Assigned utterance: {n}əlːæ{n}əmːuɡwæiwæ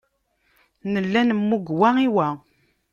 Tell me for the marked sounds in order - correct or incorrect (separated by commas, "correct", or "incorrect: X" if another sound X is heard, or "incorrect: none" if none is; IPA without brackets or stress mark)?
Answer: correct, correct